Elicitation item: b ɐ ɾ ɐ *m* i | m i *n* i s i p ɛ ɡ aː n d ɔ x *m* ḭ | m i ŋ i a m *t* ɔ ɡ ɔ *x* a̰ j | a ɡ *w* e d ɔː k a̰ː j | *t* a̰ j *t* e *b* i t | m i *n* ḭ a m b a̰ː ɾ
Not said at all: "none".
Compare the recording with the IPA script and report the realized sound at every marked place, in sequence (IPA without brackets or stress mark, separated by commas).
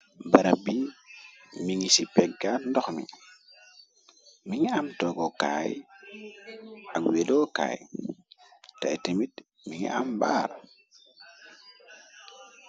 b, ŋ, m, t, k, w, t, t, m, ŋ